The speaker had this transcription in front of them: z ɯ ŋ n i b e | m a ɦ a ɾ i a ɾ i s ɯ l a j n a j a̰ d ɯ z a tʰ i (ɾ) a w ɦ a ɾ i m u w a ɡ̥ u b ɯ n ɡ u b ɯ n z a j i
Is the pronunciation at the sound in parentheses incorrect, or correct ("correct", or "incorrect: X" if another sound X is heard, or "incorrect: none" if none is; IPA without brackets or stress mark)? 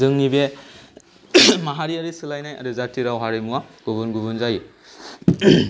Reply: correct